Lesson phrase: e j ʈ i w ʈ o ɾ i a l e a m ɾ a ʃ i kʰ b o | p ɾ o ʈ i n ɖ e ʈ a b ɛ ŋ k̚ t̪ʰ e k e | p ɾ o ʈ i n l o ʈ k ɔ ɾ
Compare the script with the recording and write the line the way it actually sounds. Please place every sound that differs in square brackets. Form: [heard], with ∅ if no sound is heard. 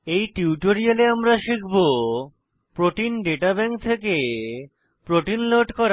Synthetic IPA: e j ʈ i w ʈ o ɾ i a l e a m ɾ a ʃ i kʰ b o | p ɾ o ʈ i n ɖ e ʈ a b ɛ ŋ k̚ t̪ʰ e k e | p ɾ o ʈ i n l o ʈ k ɔ ɾ